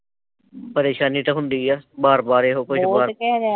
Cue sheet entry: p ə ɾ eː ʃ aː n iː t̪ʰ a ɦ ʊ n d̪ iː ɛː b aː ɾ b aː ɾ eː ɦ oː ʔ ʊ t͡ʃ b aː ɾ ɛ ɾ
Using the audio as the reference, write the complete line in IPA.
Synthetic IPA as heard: p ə ɾ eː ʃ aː n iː t̪ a ɦ ʊ n d̪ iː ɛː b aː ɾ b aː ɾ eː ɦ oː k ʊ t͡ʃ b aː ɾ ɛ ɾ